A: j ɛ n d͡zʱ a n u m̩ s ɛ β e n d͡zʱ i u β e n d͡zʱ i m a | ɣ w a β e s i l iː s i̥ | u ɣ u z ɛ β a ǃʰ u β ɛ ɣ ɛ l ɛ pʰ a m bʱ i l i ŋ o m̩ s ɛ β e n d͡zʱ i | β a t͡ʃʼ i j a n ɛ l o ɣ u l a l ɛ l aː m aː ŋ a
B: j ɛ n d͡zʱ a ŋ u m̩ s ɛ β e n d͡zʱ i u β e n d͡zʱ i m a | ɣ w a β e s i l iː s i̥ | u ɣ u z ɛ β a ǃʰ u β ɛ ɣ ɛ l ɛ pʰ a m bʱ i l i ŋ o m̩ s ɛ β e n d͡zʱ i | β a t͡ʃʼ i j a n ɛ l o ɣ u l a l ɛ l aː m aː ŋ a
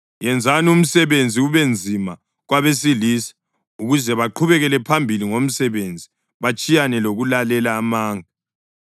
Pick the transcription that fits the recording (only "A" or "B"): A